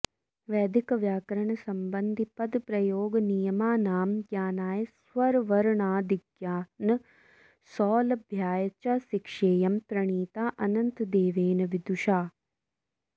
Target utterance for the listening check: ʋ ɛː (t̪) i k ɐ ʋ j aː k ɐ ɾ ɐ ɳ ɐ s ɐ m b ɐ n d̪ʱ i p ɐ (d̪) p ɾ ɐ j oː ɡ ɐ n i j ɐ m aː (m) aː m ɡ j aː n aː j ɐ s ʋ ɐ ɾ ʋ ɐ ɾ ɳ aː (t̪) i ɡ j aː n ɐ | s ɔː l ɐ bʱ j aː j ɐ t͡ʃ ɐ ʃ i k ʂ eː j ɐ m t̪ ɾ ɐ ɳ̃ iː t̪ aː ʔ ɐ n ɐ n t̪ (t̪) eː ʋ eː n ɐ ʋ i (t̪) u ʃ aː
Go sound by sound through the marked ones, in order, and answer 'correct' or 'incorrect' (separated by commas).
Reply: incorrect, correct, incorrect, incorrect, incorrect, incorrect